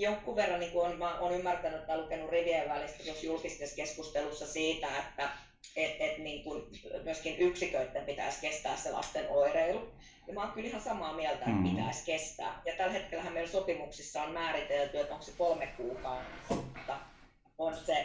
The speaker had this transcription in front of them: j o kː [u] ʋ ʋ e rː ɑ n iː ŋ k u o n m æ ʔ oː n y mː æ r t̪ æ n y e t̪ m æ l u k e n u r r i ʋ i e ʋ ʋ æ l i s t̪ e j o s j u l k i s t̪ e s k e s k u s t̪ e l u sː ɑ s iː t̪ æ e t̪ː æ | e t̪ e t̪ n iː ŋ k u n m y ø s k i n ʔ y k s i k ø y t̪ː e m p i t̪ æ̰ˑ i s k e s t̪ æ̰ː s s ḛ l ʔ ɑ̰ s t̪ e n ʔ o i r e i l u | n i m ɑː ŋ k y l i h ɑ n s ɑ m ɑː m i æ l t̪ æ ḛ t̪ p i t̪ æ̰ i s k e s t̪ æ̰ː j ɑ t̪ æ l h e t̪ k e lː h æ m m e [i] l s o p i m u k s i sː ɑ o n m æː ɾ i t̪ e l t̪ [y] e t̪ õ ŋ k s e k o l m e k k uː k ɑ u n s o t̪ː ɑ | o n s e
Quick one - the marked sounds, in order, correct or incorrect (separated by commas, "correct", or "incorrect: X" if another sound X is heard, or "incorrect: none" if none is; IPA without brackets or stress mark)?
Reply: correct, correct, correct